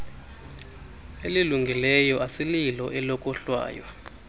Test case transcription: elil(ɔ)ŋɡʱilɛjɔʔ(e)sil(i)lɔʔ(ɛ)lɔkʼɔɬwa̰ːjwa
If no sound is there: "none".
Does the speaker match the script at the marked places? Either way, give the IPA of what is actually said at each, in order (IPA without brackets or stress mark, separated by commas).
u, a, i, ɛ